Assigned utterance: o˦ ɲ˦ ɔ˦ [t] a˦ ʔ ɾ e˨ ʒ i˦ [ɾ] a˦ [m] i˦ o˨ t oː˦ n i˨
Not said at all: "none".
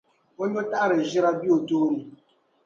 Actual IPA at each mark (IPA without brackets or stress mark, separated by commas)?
t, ɾ, b